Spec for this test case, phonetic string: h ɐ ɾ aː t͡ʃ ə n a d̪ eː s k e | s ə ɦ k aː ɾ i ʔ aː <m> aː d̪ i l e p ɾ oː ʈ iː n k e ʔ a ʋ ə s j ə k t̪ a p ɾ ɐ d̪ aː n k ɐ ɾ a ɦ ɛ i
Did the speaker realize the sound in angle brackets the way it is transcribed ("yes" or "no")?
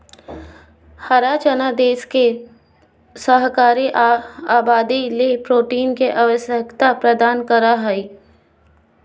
no